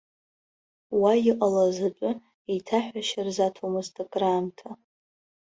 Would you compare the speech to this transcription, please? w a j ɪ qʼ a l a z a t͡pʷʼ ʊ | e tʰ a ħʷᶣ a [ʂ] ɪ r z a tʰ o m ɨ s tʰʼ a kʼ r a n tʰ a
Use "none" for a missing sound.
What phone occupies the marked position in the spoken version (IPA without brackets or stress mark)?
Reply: ʃ